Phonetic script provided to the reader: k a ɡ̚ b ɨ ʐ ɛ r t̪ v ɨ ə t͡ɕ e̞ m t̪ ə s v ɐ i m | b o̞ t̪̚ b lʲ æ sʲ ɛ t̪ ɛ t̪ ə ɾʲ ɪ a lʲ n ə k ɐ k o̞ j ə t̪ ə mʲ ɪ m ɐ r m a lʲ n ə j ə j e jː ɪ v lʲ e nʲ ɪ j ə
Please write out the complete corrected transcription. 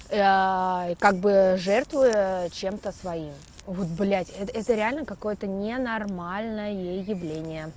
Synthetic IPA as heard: k a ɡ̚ b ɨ ʐ ɛ r t̪ v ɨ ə t͡ɕ e̞ m t̪ ə s v ɐ i m | v o̞ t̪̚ b lʲ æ tʲ ɛ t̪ ɛ t̪ ə ɾʲ ɪ a lʲ n ə k ɐ k o̞ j ə t̪ ə nʲ ɪ n ɐ r m a lʲ n ə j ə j e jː ɪ v lʲ e nʲ ɪ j ə